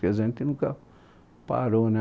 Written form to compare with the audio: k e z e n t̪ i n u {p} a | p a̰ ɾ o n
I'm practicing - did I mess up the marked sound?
yes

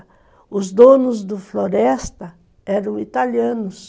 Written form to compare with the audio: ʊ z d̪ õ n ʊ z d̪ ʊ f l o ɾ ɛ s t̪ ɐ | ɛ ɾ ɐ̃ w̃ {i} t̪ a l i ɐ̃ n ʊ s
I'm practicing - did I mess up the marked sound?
no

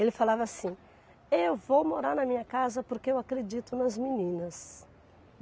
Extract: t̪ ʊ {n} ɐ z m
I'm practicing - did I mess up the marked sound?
no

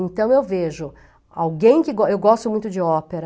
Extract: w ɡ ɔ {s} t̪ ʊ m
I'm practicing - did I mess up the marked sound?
no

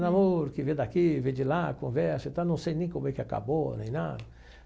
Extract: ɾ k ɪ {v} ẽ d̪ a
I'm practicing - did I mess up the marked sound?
no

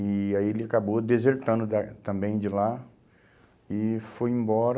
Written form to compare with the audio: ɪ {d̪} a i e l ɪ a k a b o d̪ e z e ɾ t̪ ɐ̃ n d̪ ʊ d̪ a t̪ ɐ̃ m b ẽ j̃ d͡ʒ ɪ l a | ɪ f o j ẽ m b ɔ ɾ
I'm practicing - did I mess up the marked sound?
yes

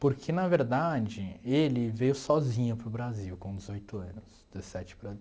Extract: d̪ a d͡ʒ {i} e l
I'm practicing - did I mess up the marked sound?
yes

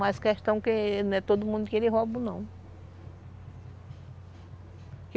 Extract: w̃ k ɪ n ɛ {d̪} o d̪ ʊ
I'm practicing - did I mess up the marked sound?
yes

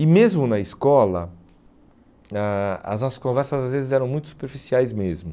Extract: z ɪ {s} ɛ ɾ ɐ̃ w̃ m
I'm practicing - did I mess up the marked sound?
yes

